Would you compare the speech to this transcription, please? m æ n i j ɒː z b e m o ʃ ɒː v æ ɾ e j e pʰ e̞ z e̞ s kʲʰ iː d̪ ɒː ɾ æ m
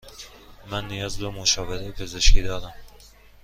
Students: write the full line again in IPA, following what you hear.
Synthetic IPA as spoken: m æ nː i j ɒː z b e m o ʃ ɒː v e ɾ e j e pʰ e̞ z e̞ ʃ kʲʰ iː d̪ ɒː ɾ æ m